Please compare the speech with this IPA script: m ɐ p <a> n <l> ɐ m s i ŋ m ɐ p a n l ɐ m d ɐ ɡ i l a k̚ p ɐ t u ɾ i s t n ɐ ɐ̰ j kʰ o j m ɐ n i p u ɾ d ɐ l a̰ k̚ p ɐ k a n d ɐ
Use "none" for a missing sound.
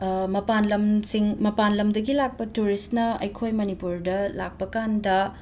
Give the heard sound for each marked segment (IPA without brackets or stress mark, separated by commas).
a, l